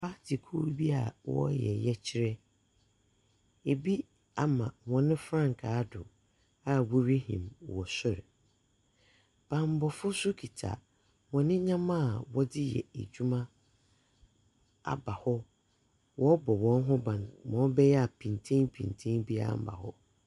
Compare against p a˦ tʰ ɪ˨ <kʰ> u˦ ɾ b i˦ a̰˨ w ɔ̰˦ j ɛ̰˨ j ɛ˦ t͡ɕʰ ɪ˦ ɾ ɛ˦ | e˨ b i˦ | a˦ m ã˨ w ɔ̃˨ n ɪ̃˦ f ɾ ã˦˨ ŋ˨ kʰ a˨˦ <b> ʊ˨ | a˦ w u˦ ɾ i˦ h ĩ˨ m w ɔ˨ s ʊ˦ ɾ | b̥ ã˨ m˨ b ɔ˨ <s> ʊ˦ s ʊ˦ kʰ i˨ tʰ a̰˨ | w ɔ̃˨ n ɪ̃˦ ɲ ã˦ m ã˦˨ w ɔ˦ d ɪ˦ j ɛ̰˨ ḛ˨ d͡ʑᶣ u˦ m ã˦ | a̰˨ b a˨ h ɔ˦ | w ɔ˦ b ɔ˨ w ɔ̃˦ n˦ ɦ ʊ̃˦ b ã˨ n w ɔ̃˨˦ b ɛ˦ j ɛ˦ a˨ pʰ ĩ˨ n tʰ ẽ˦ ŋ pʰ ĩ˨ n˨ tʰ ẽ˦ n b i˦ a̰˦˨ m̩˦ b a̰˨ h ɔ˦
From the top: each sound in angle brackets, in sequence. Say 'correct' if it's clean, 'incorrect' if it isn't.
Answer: correct, incorrect: d, incorrect: f

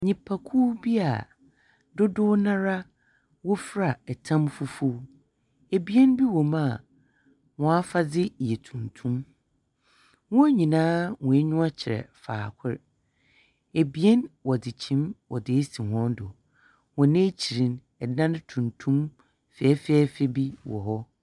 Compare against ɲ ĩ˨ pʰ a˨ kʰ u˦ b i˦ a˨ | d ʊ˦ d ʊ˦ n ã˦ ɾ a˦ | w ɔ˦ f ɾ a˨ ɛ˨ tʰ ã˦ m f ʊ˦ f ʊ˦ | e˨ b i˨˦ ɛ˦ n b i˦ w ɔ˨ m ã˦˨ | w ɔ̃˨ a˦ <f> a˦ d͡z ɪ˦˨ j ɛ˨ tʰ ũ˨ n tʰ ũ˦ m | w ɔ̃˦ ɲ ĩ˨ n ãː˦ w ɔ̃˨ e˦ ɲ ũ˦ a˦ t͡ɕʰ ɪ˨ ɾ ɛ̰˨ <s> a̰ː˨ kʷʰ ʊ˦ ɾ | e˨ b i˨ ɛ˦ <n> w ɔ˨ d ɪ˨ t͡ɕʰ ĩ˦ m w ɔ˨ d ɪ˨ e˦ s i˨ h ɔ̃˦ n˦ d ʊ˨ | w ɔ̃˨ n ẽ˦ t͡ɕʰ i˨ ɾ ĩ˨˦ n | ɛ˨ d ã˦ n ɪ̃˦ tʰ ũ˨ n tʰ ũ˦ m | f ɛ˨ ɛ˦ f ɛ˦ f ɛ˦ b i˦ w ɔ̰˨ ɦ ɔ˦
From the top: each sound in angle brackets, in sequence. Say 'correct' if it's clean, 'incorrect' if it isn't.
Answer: correct, incorrect: f, correct

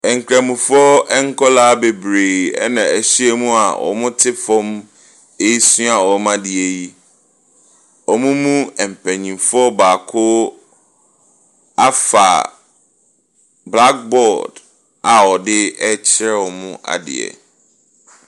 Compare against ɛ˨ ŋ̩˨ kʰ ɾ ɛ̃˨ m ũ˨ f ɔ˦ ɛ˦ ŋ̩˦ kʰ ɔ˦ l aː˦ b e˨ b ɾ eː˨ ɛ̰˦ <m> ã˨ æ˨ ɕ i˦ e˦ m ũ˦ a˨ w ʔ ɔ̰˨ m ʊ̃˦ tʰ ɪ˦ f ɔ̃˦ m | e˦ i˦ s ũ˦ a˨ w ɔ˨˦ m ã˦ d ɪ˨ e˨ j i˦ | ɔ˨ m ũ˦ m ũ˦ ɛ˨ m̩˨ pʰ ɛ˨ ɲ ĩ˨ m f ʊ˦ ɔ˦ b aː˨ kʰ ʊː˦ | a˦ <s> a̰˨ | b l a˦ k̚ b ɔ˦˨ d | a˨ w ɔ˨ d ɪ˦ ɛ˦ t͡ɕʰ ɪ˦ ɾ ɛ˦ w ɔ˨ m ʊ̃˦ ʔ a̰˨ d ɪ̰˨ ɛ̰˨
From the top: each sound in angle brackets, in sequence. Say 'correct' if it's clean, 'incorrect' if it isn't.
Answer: incorrect: n, incorrect: f

